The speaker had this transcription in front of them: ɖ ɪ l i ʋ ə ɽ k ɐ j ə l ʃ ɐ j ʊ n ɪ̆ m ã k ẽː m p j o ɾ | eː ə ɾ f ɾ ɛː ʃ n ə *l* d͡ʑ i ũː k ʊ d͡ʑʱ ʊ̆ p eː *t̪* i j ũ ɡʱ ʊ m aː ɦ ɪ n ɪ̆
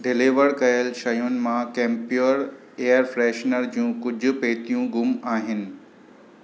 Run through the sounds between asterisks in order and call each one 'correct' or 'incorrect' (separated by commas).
incorrect, correct